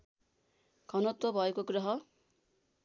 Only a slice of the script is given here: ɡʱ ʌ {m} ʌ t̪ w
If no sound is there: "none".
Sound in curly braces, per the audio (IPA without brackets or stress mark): n